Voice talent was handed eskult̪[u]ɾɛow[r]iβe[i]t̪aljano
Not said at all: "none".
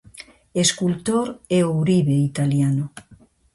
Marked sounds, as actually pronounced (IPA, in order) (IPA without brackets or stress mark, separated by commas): o, ɾ, i